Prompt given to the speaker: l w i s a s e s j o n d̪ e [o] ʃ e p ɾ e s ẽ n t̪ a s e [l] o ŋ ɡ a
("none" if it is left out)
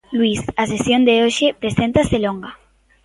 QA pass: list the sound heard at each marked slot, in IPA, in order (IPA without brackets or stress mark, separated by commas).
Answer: o, l